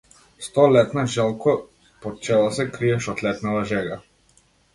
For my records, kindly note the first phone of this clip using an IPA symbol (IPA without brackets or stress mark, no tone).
s